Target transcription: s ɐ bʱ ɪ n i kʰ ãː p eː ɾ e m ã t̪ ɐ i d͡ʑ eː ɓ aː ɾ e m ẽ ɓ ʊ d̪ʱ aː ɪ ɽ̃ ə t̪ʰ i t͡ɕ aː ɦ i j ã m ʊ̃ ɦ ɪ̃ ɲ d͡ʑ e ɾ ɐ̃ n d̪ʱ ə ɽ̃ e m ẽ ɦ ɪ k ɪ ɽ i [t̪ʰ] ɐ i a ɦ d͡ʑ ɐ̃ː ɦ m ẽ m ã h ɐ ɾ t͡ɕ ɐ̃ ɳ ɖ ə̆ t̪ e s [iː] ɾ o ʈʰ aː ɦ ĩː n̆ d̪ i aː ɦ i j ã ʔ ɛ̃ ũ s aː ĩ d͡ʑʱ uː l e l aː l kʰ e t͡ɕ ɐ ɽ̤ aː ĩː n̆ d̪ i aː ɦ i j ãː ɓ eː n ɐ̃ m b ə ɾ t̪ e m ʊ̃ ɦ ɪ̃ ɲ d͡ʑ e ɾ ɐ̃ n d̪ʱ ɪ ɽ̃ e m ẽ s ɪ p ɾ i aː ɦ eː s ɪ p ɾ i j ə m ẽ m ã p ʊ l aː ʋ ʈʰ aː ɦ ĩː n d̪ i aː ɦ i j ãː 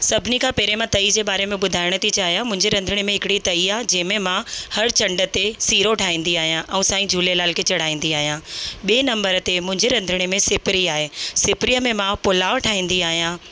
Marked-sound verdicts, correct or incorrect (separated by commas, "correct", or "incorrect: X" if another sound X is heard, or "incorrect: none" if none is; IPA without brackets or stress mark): incorrect: t̪, correct